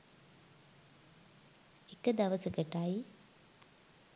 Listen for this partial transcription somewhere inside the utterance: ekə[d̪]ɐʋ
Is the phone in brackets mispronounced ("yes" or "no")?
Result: no